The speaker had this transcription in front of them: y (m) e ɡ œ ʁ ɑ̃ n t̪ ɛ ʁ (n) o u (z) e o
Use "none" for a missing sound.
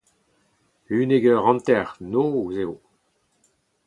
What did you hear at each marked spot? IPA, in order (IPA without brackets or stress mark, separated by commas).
n, n, z